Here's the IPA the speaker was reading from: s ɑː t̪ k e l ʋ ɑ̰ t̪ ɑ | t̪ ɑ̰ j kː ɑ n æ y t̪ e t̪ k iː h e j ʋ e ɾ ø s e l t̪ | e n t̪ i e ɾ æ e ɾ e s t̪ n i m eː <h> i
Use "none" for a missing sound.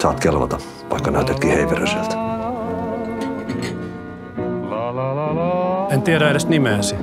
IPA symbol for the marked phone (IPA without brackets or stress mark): s